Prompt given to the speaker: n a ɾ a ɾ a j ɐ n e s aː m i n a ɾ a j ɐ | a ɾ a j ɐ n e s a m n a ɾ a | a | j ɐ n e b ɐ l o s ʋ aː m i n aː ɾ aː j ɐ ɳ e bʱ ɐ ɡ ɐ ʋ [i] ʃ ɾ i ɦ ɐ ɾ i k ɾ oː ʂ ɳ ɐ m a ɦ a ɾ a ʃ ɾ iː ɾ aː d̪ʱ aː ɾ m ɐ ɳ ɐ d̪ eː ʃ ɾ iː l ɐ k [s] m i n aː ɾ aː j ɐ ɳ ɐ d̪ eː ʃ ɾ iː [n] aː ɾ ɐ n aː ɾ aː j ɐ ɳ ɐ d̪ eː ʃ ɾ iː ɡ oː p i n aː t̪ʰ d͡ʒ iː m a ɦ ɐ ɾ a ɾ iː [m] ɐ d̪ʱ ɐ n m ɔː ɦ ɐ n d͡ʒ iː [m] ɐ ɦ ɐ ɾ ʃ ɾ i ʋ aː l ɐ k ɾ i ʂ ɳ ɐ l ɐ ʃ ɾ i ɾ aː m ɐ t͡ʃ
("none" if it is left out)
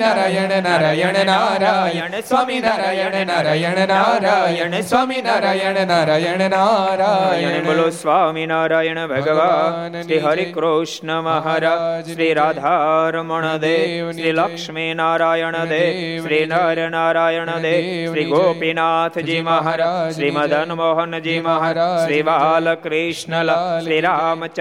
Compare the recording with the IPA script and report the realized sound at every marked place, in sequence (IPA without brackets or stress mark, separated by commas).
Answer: a, ʂ, n, m, m